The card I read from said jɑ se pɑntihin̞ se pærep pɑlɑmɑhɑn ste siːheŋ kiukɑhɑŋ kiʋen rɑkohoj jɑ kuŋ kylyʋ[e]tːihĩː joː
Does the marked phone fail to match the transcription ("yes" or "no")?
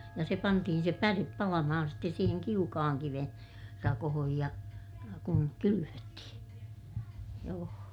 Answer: yes